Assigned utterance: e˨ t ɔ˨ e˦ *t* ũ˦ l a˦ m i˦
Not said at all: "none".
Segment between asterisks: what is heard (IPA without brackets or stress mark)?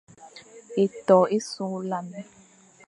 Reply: s